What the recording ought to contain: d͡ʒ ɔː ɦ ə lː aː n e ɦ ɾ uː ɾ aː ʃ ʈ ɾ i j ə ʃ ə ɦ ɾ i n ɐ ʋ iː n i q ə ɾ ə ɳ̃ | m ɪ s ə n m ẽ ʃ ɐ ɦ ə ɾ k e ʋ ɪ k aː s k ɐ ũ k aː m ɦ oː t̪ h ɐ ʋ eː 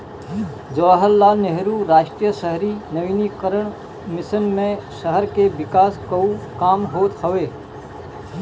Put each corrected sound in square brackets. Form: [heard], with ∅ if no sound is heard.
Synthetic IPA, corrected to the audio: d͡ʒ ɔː ɦ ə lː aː n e ɦ ɾ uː ɾ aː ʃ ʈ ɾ i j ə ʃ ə ɦ ɾ i n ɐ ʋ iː n i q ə ɾ ə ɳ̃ | m ɪ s ə n m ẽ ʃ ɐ ɦ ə ɾ k e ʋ ɪ k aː s k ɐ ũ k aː m ɦ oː t̪ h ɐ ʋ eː